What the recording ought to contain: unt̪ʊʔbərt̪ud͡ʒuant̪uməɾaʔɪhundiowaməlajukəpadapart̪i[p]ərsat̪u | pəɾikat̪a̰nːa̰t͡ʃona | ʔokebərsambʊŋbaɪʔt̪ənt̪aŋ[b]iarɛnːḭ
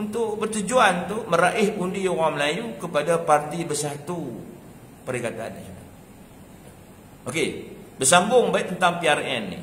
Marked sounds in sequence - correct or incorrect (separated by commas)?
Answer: incorrect, incorrect